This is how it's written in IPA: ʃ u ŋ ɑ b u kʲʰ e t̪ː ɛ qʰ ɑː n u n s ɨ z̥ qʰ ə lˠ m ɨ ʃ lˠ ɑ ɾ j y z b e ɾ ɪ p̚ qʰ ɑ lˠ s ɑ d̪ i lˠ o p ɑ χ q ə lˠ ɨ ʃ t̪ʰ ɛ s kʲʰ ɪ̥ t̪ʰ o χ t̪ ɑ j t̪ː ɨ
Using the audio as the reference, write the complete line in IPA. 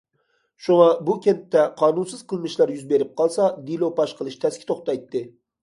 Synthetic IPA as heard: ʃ u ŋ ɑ b u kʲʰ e t̪ː ɛ qʰ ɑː n u n s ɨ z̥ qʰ ə lˠ m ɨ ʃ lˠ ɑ ɾ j y z b e ɾ ɪ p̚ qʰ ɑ lˠ s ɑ d̪ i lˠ o p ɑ ʃ q ə lˠ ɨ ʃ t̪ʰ ɛ s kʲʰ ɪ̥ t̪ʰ o χ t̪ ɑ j t̪ː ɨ